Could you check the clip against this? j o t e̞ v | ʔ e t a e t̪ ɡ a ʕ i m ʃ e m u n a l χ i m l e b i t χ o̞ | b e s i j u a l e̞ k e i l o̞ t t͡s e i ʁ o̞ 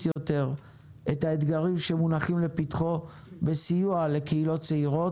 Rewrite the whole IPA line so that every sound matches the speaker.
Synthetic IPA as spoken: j o t e̞ ʁ | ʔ e t a e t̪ ɡ a ʁ i m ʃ e m u n a χ i m l e p i t χ o̞ | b e s i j u a l e̞ k e i l o̞ t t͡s e i ʁ o̞